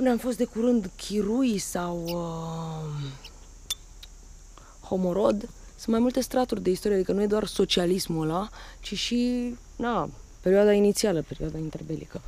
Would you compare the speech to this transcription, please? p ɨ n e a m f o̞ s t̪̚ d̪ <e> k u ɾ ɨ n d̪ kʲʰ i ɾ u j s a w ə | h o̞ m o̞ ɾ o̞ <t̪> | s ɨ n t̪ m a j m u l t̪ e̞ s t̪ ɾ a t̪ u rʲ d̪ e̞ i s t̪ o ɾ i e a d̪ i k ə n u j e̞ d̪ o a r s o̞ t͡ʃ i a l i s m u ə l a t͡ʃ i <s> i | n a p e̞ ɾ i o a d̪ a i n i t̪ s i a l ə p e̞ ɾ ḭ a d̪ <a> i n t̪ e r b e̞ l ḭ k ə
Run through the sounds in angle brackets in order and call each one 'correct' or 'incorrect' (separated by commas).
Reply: correct, incorrect, incorrect, correct